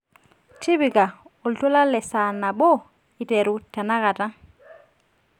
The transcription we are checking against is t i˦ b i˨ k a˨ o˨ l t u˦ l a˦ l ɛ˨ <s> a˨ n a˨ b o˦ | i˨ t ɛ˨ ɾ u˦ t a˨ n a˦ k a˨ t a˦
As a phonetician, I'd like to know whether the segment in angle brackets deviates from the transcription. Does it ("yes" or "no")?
no